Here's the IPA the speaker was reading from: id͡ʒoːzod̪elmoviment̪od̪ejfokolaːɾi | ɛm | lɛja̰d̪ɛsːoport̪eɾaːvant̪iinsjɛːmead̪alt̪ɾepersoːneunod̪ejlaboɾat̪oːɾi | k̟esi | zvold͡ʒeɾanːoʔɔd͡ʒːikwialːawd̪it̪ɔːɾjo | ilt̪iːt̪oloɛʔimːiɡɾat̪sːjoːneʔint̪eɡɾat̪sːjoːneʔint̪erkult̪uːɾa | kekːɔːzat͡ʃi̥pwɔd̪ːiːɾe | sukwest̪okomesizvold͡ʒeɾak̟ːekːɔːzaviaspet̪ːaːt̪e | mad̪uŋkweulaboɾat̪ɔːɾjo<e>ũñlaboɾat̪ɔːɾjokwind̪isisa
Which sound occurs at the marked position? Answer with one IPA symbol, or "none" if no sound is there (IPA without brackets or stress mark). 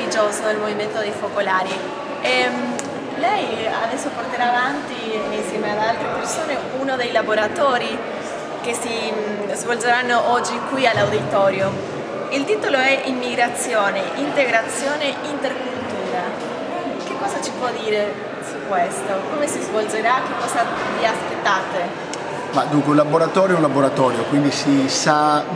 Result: ɛ